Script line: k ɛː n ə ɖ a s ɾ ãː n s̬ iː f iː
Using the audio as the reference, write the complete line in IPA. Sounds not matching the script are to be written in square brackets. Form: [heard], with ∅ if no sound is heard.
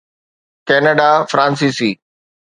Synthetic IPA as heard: k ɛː n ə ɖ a [f] ɾ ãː n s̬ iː [s] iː